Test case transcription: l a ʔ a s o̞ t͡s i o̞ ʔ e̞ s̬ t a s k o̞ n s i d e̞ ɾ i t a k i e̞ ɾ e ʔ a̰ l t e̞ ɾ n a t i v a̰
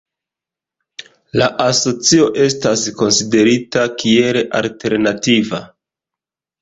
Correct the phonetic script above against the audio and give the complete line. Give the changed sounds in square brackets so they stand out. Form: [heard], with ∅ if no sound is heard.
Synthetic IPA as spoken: l a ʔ a s o̞ t͡s i o̞ ʔ e̞ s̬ t a s k o̞ n s i d e̞ ɾ i t a k i e̞ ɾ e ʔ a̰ l t e̞ ɾ n a t i v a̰